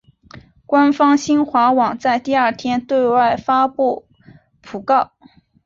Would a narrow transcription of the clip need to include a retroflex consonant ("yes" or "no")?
no